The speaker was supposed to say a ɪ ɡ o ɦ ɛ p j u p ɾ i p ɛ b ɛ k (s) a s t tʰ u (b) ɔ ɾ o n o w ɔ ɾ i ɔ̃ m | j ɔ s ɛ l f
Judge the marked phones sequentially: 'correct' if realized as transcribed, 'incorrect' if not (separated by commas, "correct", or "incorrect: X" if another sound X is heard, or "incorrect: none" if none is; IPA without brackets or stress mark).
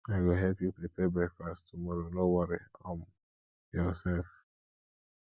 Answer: incorrect: f, incorrect: m